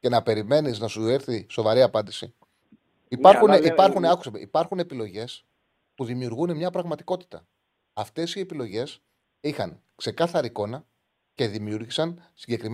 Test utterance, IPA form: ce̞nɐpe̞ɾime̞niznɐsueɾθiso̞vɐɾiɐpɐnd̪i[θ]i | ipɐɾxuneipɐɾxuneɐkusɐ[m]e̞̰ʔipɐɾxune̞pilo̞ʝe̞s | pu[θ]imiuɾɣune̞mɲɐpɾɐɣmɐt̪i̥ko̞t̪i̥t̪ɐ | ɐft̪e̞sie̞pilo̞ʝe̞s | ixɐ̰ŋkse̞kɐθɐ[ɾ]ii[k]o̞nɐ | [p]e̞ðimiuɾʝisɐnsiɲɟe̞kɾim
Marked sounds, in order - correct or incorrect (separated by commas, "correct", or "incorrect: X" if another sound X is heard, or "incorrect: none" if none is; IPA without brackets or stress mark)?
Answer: incorrect: s, correct, incorrect: ð, correct, correct, incorrect: c